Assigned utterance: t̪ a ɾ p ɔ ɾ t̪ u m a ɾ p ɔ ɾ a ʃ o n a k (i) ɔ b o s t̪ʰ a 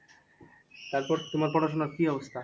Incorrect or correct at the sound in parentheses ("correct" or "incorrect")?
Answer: correct